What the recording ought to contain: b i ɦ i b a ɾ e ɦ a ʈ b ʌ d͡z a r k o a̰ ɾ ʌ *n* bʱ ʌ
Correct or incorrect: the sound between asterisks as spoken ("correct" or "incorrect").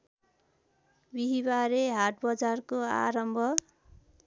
incorrect